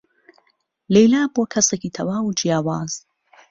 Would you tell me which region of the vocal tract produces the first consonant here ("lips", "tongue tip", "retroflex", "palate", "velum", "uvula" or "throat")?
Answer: tongue tip